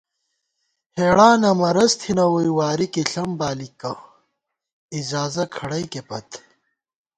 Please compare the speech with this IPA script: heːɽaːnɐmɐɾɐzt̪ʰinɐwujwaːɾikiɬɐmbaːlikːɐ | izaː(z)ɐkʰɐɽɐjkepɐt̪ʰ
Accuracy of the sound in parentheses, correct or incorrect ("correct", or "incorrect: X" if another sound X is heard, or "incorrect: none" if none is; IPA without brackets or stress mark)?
correct